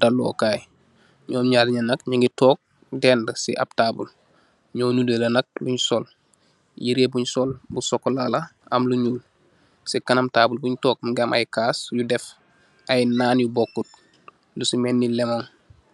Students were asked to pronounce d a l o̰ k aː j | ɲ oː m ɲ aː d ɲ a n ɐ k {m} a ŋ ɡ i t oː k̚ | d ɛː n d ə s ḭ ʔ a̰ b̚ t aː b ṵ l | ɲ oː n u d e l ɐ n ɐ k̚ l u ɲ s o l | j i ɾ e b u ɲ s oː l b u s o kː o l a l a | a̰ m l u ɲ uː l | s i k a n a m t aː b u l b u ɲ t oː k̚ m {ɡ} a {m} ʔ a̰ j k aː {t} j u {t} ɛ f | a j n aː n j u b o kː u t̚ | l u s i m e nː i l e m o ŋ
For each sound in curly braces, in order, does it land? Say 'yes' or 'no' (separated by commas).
no, yes, yes, no, no